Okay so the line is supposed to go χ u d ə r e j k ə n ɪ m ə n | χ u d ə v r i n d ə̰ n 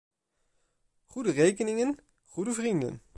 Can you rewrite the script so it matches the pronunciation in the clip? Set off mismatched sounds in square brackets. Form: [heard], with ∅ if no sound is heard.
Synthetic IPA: χ u d ə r e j k ə n ɪ [ŋ] ə n | χ u d ə v r i n d ə̰ n